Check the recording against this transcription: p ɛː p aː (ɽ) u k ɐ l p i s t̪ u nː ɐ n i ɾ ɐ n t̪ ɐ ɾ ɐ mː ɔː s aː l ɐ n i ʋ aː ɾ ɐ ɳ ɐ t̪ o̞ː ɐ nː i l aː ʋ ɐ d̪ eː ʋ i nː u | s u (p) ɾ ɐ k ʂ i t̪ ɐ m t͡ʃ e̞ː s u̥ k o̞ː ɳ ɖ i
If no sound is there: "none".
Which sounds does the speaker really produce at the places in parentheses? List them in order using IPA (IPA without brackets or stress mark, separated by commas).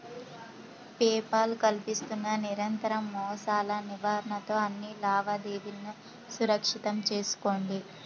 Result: l, none